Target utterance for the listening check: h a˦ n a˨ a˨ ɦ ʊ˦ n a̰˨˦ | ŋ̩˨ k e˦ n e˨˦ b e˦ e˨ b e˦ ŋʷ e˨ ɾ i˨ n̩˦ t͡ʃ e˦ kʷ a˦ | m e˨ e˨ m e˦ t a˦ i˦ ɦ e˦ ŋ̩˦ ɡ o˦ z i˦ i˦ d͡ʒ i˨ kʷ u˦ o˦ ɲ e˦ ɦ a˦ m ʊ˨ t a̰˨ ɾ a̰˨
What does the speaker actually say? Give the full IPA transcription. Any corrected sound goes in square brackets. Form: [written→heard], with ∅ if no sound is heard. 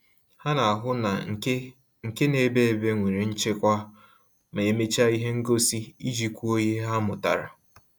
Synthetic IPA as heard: h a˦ n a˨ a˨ ɦ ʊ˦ n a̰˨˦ | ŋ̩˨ k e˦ n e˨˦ b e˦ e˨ b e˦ ŋʷ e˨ ɾ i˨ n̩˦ t͡ʃ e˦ kʷ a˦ | m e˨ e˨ m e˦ [t→t͡ʃ] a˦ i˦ ɦ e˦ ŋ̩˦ ɡ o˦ [z→s] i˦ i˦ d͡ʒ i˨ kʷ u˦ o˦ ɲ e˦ ɦ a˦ m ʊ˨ t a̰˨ ɾ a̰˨